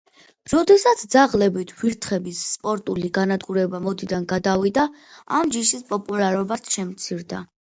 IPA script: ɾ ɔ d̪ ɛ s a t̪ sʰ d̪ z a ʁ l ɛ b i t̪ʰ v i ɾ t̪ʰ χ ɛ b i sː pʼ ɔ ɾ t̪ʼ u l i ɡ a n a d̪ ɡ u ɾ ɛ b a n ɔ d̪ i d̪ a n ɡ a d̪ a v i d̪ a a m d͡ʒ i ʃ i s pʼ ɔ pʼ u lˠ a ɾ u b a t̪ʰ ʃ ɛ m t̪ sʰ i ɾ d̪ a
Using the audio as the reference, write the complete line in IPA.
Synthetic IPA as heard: ɾ ɔ d̪ ɛ s a t̪ sʰ d̪ z a ʁ l ɛ b i t̪ʰ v i ɾ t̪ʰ χ ɛ b i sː pʼ ɔ ɾ t̪ʼ u l i ɡ a n a d̪ ɡ u ɾ ɛ b a m ɔ d̪ i d̪ a n ɡ a d̪ a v i d̪ a a m d͡ʒ i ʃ i s pʼ ɔ pʼ u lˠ a ɾ ɔ b a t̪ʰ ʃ ɛ m t̪ sʰ i ɾ d̪ a

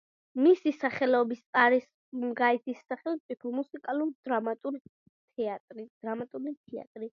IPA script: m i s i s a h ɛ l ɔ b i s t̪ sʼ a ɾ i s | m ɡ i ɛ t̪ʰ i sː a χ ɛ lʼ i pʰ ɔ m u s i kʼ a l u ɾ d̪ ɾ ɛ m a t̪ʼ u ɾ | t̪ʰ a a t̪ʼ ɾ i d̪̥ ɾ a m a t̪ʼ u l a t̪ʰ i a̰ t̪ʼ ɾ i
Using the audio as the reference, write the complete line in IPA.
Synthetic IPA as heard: m i s i s a χ ɛ l ɔ b i s t̪ sʼ a ɾ i s | m ɡ a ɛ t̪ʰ i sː a χ ɛ lʼ i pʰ ɔ m u s i kʼ a l u ɾ d̪ ɾ a m a t̪ʼ u ɾ | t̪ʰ ɛ a t̪ʼ ɾ i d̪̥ ɾ a m a t̪ʼ u l i t̪ʰ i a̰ t̪ʼ ɾ i

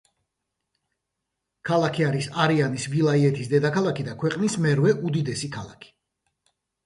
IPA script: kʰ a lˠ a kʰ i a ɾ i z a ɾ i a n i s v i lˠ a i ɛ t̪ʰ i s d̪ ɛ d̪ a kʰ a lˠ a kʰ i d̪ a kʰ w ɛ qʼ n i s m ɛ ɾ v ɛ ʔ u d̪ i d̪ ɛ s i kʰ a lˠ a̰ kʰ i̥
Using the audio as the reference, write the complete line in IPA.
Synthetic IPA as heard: kʰ a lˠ a kʰ i a ɾ i s a ɾ i a n i s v i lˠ a i ɛ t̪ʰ i s d̪ ɛ d̪ a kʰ a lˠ a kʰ i d̪ a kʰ w ɛ qʼ n i s m ɛ ɾ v ɛ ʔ u d̪ i d̪ ɛ s i kʰ a lˠ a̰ kʰ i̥

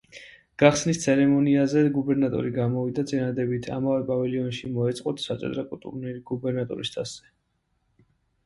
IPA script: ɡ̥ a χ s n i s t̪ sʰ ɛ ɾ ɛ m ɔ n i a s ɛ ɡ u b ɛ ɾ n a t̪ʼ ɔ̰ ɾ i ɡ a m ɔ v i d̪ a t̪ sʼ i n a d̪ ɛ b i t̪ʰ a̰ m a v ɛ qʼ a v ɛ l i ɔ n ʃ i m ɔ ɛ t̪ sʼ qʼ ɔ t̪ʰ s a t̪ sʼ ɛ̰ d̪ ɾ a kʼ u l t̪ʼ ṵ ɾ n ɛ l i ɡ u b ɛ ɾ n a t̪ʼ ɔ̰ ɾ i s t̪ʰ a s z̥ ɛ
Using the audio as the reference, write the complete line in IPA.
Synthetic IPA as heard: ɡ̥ a χ s n i s t̪ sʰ ɛ ɾ ɛ m ɔ n i a z ɛ ɡ u b ɛ ɾ n a t̪ʼ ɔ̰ ɾ i ɡ a m ɔ v i d̪ a t̪ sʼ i n a d̪ ɛ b i t̪ʰ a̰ m a v ɛ pʼ a v ɛ l i ɔ n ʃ i m ɔ ɛ t̪ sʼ qʼ ɔ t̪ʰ s a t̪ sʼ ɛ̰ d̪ ɾ a kʼ u l t̪ʼ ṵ ɾ n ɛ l i ɡ u b ɛ ɾ n a t̪ʼ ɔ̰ ɾ i s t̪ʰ a s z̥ ɛ

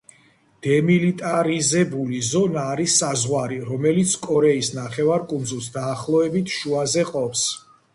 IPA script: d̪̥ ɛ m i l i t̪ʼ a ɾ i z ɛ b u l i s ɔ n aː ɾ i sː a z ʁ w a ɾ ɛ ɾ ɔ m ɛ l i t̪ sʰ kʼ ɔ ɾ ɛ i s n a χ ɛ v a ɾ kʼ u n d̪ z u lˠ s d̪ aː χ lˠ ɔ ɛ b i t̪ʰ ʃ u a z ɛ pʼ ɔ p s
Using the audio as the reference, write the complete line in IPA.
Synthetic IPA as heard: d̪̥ ɛ m i l i t̪ʼ a ɾ i z ɛ b u l i z ɔ n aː ɾ i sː a z ʁ w a ɾ i ɾ ɔ m ɛ l i t̪ sʰ kʼ ɔ ɾ ɛ i s n a χ ɛ v a ɾ kʼ u n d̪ z u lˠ s d̪ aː χ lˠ ɔ ɛ b i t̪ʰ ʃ u a z ɛ qʼ ɔ p s

